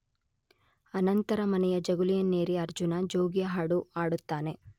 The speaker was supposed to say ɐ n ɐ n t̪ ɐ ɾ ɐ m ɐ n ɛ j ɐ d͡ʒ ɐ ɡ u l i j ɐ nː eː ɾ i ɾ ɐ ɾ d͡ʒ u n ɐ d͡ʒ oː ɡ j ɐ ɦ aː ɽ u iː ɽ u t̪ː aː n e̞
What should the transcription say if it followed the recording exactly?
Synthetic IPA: ɐ n ɐ n t̪ ɐ ɾ ɐ m ɐ n ɛ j ɐ d͡ʒ ɐ ɡ u l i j ɐ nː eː ɾ i ɐ ɾ d͡ʒ u n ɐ d͡ʒ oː ɡ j ɐ ɦ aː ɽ u aː ɽ u t̪ː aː n e̞